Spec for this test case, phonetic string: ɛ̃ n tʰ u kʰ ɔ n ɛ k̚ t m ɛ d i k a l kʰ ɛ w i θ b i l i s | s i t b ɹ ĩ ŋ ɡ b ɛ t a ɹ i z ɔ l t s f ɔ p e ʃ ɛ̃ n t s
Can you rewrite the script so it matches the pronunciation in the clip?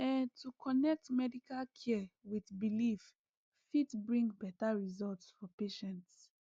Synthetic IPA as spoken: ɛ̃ n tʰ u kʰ ɔ n ɛ k̚ t m ɛ d i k a l kʰ ɛ w i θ b i l i f | f i t b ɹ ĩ ŋ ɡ b ɛ t a ɹ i z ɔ l t s f ɔ p e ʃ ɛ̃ n t s